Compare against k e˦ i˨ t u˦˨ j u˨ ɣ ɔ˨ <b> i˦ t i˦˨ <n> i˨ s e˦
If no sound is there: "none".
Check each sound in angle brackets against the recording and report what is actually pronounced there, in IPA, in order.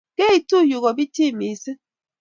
b, m

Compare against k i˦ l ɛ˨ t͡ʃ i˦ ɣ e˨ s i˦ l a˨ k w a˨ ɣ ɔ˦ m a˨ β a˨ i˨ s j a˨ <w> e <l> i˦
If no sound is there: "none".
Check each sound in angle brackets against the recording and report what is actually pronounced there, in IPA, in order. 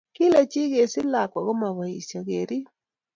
ɣ, ɾ

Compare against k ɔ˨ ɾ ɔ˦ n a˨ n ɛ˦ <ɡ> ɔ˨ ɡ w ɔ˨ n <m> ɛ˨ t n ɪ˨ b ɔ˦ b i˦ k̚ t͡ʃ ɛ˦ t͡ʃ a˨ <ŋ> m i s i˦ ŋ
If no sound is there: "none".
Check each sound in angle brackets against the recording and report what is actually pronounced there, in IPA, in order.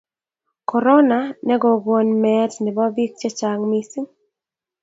ɡ, m, ŋ

